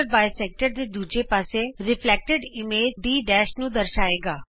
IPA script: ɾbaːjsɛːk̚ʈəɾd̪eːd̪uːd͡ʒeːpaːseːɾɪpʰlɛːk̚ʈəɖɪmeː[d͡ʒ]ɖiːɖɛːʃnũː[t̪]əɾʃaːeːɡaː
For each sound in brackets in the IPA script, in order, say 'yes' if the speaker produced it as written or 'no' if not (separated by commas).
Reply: yes, no